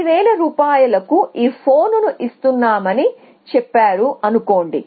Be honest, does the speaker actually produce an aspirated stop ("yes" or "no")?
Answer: yes